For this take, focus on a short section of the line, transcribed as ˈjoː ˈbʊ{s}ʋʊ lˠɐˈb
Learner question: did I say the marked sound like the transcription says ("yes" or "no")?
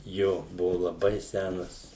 no